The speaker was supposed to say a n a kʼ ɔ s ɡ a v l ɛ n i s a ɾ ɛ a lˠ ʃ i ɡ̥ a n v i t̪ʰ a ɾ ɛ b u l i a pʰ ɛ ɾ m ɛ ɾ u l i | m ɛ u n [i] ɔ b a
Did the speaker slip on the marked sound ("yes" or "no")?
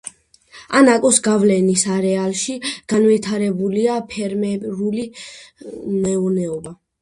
yes